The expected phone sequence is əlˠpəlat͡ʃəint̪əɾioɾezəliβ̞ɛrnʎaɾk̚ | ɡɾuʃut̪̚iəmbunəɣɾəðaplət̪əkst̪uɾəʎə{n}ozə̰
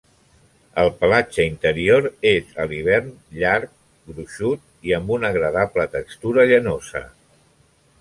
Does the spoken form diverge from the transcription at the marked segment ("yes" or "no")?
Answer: no